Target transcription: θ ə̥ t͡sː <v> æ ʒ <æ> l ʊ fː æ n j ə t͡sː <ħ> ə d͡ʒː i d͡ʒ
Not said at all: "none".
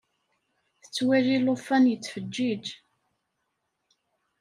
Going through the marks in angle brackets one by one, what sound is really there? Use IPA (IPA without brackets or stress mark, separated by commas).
w, i, f